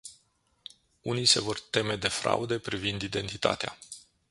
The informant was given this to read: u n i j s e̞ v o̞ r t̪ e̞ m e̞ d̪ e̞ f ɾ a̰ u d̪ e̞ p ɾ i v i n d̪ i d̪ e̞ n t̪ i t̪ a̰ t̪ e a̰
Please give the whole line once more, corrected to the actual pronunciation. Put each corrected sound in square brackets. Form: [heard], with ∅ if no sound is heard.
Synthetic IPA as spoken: u n i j s e̞ v o̞ r t̪ e̞ m e̞ d̪ e̞ f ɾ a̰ u d̪ e̞ p ɾ i v i n d̪ i d̪ e̞ n t̪ i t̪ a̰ t̪ e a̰